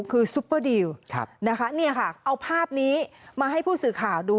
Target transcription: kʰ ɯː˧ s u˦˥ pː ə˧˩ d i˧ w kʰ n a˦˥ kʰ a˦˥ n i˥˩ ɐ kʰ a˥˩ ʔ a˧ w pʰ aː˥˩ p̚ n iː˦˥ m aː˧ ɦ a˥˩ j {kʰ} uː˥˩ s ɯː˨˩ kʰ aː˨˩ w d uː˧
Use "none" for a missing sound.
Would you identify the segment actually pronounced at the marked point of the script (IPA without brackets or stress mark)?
pʰ